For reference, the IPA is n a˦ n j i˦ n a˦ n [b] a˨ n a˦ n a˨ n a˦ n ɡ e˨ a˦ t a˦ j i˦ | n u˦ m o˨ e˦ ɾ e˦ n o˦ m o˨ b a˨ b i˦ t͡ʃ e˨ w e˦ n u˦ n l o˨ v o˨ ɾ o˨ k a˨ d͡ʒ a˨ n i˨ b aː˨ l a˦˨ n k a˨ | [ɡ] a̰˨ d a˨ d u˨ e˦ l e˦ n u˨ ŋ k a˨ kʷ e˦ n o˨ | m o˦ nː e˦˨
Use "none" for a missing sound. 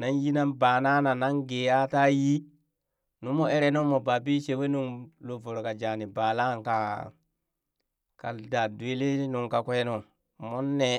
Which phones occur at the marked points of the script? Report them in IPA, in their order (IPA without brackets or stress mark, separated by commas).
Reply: b, k